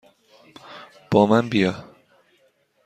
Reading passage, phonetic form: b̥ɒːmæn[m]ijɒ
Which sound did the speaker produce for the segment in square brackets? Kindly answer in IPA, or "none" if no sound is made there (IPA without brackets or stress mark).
b